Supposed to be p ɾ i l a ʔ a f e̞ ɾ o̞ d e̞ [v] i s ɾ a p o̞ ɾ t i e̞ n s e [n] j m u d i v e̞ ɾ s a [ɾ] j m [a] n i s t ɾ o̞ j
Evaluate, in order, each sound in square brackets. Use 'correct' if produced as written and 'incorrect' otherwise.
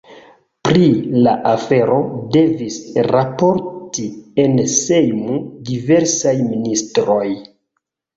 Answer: correct, incorrect: none, incorrect: none, incorrect: i

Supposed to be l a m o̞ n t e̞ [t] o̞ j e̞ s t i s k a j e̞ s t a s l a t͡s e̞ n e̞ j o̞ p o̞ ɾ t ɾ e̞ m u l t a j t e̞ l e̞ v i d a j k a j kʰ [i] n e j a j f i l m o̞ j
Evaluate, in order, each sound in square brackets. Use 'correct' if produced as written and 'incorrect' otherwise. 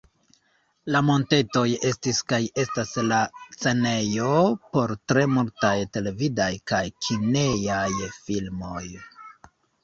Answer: correct, correct

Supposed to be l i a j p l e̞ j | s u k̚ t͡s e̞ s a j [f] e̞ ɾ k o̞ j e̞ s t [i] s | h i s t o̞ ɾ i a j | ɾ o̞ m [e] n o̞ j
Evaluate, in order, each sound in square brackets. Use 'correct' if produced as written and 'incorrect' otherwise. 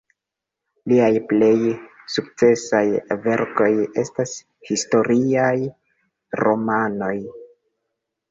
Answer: incorrect: v, incorrect: a, incorrect: a

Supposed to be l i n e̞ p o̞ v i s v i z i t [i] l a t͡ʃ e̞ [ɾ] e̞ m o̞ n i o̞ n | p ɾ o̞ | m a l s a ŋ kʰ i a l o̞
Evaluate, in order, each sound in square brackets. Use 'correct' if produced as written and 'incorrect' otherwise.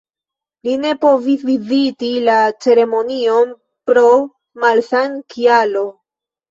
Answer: correct, correct

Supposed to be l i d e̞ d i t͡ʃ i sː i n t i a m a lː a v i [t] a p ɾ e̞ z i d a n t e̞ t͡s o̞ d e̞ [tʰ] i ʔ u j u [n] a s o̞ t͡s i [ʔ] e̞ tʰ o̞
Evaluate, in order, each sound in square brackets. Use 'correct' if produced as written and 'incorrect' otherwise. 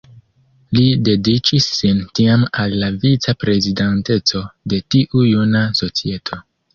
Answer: incorrect: t͡s, incorrect: t, correct, incorrect: none

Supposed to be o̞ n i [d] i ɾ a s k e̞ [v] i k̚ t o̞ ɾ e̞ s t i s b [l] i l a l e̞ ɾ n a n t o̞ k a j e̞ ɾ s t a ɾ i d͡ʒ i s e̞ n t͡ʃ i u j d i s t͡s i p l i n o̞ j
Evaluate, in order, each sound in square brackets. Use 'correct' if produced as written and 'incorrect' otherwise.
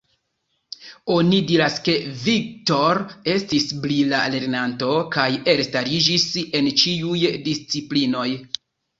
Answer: correct, correct, correct

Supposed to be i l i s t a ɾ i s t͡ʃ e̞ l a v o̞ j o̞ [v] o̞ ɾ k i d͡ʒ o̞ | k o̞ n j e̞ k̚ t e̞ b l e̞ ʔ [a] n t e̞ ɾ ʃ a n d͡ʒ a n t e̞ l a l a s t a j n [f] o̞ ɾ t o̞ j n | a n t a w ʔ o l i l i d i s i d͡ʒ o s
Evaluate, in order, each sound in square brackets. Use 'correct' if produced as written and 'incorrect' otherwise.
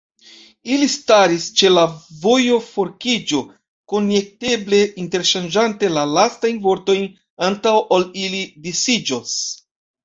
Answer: incorrect: f, incorrect: i, incorrect: v

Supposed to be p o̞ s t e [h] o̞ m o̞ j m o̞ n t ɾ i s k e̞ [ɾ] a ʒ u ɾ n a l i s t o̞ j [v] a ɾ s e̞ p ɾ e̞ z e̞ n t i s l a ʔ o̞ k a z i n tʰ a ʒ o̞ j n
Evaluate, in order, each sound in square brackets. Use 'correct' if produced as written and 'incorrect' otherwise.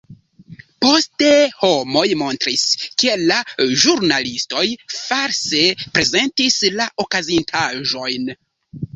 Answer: correct, incorrect: l, incorrect: f

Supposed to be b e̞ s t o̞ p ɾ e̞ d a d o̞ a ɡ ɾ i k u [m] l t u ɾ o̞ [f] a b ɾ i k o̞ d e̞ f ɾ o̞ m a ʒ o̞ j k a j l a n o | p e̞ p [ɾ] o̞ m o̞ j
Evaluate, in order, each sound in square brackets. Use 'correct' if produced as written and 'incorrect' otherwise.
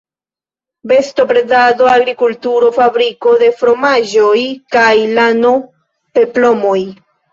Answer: incorrect: none, correct, incorrect: l

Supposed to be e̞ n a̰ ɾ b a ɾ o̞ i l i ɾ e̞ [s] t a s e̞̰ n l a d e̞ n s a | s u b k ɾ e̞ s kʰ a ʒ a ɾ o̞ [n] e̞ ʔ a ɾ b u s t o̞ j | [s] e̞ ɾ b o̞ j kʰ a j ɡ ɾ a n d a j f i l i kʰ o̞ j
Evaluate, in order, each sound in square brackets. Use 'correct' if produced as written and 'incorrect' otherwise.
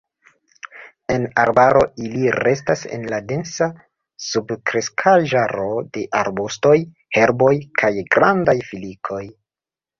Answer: correct, incorrect: d, incorrect: h

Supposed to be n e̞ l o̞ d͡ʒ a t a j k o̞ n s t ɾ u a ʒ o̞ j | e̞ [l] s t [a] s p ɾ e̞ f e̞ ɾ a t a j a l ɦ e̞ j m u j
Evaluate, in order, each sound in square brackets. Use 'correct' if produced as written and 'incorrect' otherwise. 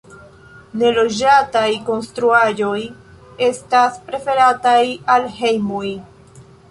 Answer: incorrect: none, correct

